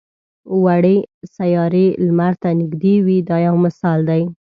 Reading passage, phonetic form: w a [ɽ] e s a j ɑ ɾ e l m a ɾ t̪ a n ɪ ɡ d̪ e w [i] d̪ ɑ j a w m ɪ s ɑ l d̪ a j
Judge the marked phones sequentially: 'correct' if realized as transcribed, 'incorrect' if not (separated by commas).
correct, correct